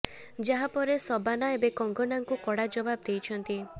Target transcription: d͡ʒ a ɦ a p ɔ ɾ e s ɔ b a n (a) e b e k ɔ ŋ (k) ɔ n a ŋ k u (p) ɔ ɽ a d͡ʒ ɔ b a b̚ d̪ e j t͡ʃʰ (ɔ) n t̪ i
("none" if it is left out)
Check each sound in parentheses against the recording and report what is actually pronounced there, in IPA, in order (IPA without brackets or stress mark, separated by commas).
a, ɡ, k, ɔ